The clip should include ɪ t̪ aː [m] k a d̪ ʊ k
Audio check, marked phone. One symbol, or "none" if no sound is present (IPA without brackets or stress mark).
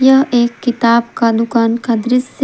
b